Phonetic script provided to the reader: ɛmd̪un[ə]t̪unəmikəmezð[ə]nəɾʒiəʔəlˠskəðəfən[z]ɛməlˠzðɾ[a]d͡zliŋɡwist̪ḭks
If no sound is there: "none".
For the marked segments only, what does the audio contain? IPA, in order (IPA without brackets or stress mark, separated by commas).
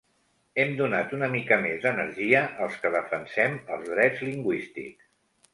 a, ə, s, ɛ